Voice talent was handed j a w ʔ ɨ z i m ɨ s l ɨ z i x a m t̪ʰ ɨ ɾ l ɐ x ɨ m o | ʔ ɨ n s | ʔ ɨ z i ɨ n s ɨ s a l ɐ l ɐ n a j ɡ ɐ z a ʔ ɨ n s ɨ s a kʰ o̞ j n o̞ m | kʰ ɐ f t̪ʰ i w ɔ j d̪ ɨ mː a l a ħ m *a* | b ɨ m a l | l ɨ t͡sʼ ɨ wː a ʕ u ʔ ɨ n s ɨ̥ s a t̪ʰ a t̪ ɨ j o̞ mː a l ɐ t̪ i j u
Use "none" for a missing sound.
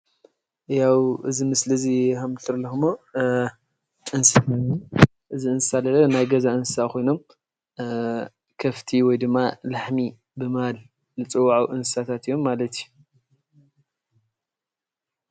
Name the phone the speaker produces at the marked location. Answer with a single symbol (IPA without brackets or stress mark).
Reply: i